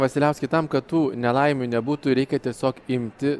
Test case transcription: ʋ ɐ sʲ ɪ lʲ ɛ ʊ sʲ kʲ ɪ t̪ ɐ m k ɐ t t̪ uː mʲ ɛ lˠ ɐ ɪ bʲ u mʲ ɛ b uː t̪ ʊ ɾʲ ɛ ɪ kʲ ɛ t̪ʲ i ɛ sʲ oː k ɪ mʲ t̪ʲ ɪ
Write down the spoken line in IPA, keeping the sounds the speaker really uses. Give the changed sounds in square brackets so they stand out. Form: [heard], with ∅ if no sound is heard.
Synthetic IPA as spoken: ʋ ɐ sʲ ɪ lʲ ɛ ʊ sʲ kʲ ɪ t̪ ɐ m k ɐ t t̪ uː [nʲ] ɛ lˠ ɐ ɪ [mʲ] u [nʲ] ɛ b uː t̪ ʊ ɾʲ ɛ ɪ kʲ ɛ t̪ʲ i ɛ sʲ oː k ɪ mʲ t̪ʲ ɪ